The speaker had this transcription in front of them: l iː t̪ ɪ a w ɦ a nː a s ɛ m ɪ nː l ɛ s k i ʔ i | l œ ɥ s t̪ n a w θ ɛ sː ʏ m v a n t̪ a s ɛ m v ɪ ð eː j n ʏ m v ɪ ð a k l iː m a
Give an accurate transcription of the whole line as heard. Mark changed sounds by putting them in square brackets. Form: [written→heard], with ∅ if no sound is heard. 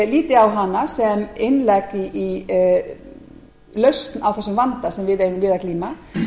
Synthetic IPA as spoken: l iː t̪ ɪ a w ɦ a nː a s ɛ m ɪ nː l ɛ [s→∅] k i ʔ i | l œ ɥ s t̪ n a w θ ɛ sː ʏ m v a n t̪ a s ɛ m v ɪ ð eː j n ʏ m v ɪ ð a k l iː m a

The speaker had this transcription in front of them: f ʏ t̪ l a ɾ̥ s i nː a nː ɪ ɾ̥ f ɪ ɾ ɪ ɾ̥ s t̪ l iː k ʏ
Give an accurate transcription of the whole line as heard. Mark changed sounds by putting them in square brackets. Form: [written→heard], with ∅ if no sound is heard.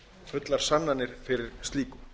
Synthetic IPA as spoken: f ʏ t̪ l a ɾ̥ s [i→a] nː a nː ɪ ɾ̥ f ɪ ɾ ɪ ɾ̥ s t̪ l iː k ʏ

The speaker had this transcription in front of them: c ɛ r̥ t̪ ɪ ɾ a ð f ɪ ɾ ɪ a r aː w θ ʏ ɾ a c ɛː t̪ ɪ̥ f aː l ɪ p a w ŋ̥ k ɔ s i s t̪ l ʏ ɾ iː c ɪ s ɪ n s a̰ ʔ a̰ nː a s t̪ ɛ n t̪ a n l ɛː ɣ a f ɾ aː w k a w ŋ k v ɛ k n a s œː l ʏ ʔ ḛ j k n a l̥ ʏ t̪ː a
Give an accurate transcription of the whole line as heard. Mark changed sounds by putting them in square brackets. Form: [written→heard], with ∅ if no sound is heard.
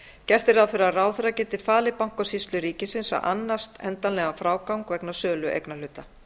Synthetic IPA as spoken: c ɛ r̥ t̪ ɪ ɾ a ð f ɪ ɾ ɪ a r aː w θ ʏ ɾ a c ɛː t̪ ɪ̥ f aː l ɪ p a w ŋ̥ k ɔ s i s t̪ l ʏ ɾ iː c ɪ s ɪ n s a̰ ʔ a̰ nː a s t̪ ɛ n t̪ a n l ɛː ɣ a f ɾ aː w k a w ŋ k v ɛ k n a s œː l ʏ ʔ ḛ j k n a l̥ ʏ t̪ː a

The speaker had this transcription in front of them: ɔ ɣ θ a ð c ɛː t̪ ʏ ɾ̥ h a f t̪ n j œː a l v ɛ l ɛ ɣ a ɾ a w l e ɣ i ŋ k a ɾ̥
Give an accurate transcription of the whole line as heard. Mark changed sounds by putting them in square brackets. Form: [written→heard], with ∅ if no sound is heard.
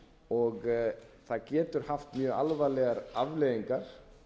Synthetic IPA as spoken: ɔ ɣ θ a ð c ɛː t̪ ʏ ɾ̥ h a f t̪ [n→m] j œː a l v [ɛ→a] l ɛ ɣ a ɾ a [w→v] l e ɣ i ŋ k a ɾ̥

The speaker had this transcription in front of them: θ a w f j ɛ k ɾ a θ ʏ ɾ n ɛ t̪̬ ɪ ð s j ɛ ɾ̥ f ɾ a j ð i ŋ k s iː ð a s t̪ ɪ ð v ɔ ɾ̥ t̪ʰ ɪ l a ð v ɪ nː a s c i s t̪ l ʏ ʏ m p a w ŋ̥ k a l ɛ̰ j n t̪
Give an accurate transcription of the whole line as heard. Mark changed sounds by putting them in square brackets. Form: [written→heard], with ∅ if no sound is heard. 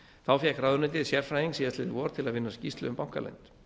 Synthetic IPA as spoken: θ a w f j ɛ k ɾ a [θ→ð] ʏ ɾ n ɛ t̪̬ ɪ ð s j ɛ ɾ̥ f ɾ a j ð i ŋ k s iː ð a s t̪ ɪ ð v ɔ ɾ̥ t̪ʰ ɪ l a ð v ɪ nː a s c i s t̪ l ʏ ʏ m p a w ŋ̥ k a l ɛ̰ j n t̪

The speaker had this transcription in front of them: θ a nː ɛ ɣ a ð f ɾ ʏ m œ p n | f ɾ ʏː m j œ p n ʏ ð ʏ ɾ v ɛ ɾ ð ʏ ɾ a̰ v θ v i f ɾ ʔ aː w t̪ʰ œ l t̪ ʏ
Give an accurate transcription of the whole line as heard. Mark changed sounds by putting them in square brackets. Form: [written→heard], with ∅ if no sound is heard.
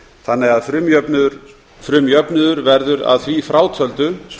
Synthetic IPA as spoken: θ a nː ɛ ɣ a ð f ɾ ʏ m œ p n | f ɾ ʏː m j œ p n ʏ ð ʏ ɾ v ɛ ɾ ð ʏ ɾ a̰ [v→ð] θ v i f ɾ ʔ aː w t̪ʰ œ l t̪ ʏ

